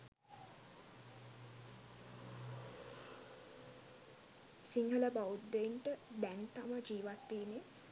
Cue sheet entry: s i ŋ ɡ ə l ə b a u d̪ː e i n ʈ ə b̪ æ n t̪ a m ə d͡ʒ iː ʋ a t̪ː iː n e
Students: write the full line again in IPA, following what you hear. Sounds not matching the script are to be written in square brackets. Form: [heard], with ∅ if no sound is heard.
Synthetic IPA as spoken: s i ŋ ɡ ə l ə b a u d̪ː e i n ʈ ə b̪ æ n t̪ a m ə d͡ʒ iː ʋ a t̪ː iː n e